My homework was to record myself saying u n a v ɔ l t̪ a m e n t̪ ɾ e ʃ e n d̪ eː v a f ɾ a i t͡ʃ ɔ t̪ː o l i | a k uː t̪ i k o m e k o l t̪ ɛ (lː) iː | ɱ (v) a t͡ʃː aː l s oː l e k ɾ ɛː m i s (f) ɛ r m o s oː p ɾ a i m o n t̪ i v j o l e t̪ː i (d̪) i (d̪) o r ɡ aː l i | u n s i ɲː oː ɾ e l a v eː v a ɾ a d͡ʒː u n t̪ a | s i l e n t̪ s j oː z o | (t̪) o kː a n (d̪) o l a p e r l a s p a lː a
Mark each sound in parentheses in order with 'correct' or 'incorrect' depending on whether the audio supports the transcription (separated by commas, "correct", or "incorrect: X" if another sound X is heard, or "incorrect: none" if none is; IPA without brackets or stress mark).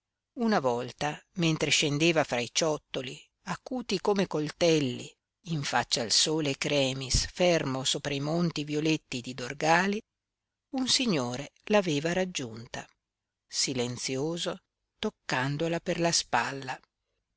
correct, incorrect: f, correct, correct, correct, correct, correct